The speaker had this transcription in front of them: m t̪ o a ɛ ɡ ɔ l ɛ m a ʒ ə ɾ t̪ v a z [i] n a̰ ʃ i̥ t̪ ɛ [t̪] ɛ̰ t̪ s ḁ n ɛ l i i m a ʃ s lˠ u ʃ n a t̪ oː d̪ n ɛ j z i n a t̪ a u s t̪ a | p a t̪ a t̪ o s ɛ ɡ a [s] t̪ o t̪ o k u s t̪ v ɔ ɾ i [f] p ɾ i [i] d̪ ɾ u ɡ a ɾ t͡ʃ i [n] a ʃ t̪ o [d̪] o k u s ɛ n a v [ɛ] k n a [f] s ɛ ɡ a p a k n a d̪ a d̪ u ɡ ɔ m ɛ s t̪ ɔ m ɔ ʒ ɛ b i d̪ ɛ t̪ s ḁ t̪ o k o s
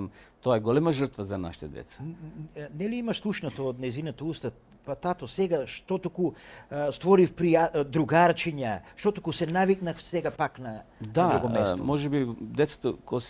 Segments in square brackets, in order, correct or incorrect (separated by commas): incorrect, incorrect, incorrect, correct, incorrect, incorrect, incorrect, incorrect, correct